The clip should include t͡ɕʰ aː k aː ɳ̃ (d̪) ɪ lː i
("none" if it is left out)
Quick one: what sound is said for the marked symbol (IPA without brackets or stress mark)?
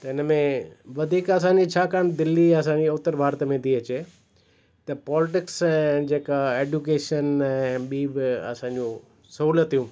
d̪